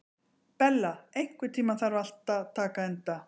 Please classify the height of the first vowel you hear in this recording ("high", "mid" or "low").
mid